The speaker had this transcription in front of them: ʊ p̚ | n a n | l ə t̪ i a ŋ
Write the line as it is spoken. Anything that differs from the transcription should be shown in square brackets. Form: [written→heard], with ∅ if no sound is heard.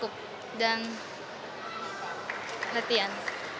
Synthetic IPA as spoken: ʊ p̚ | [n→d] a n | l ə t̪ i a [ŋ→n]